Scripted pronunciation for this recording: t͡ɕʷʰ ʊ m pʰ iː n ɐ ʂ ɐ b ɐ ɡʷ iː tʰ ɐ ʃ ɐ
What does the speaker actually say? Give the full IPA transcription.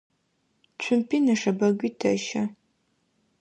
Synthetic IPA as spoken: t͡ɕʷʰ ʊ m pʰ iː n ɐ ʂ ɐ b ɐ ɡʷ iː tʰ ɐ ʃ ɐ